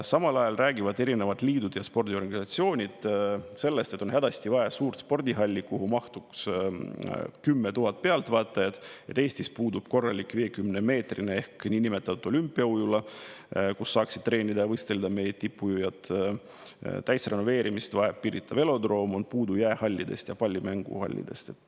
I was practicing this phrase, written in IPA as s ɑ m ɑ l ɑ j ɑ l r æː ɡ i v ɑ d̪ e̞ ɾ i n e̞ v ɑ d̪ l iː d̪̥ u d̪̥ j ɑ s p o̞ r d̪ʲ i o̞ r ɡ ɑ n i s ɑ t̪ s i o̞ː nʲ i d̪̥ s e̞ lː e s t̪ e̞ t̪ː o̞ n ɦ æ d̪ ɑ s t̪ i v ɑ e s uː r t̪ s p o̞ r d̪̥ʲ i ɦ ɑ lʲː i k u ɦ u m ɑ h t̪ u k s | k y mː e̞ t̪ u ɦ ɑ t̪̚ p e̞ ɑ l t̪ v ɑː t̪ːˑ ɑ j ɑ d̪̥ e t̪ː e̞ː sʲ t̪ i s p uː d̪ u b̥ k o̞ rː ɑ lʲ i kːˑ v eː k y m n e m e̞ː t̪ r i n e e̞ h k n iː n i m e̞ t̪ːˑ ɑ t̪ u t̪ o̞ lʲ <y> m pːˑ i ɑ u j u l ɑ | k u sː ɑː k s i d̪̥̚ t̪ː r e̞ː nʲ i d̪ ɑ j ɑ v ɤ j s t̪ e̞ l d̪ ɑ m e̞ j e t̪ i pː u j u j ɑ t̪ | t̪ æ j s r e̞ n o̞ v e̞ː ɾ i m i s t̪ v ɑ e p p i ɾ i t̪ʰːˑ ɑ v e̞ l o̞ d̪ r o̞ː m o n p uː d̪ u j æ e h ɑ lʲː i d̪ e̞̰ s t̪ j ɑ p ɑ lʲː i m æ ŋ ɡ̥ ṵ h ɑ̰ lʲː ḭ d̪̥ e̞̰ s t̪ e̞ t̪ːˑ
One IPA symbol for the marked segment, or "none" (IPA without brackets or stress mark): y